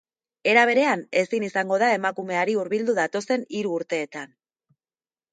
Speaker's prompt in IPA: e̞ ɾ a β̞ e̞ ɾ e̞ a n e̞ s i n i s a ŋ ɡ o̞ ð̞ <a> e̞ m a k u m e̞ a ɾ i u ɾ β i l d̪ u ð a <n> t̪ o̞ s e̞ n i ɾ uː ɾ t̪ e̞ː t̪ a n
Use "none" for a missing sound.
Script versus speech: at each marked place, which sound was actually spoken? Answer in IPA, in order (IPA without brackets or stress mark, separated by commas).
a, none